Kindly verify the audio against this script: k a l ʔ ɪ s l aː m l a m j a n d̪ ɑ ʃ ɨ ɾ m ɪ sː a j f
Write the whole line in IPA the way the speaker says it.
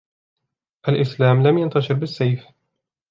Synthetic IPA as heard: ʔ a l ʔ ɪ s l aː m l a m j a n t̪ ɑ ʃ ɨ ɾ b ɪ sː a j f